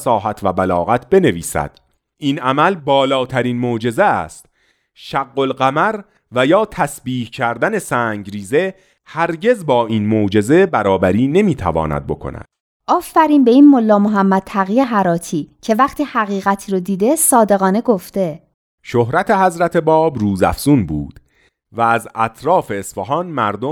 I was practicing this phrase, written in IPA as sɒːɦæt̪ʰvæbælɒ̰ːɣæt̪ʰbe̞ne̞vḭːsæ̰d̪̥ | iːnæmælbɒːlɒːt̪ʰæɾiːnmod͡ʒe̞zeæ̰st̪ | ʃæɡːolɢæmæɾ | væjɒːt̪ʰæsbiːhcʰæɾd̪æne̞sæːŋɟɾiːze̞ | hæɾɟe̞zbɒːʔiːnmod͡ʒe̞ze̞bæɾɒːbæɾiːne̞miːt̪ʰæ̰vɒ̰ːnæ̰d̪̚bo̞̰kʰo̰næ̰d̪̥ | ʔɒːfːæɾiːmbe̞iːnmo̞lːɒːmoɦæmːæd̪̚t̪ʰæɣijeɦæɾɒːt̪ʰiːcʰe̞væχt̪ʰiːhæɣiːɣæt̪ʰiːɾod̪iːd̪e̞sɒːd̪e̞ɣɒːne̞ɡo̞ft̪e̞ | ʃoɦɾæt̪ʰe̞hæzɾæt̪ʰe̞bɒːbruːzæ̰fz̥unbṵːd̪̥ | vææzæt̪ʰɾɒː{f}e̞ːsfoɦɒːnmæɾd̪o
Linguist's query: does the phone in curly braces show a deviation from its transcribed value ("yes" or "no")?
no